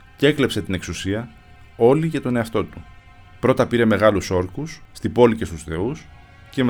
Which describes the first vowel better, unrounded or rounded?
unrounded